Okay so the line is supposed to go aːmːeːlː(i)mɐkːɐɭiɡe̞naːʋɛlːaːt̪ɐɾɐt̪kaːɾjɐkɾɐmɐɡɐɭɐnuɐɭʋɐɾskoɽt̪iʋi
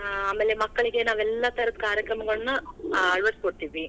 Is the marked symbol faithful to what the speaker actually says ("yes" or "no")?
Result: no